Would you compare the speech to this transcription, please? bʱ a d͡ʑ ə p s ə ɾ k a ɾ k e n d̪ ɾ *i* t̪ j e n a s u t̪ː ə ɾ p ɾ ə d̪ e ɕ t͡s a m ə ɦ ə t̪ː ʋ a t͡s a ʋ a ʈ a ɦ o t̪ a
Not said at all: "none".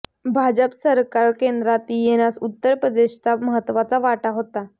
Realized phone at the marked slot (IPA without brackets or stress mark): a